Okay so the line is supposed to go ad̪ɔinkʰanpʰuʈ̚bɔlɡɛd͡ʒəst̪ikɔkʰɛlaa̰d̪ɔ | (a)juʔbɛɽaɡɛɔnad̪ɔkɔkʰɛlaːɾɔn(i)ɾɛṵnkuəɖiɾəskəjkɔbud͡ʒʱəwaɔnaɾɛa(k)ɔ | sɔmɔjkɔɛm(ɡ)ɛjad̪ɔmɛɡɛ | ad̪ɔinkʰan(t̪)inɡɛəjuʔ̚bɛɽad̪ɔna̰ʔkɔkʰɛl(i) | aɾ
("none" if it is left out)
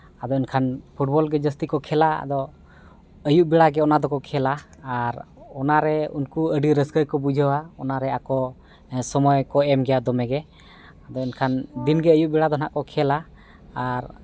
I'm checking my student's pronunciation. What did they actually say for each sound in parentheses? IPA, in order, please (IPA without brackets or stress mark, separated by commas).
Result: ə, a, k, ɡ, d̪, a